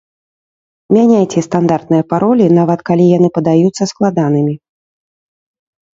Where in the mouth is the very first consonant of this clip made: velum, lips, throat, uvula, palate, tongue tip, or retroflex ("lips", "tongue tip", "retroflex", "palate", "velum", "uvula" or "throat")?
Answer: lips